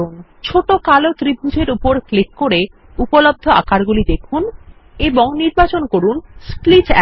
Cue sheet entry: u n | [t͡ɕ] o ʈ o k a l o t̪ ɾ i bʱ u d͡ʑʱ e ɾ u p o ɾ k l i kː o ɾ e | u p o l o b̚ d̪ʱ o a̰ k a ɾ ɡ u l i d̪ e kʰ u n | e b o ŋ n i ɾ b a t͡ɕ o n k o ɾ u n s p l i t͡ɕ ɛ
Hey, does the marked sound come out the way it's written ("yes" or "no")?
no